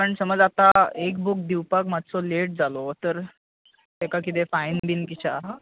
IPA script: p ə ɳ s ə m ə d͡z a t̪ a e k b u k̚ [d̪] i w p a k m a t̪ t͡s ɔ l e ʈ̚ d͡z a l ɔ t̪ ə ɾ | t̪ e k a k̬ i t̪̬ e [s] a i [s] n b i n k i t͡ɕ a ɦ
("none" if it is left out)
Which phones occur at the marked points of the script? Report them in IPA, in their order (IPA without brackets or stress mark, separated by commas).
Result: d̪, f, none